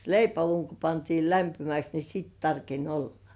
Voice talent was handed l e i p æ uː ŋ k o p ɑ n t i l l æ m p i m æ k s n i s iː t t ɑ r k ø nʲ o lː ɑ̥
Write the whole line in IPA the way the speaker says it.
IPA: l e i p æ uː ŋ k o p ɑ n t iː l l æ m p i m æ k s n i s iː t t ɑ r k e nʲ o lː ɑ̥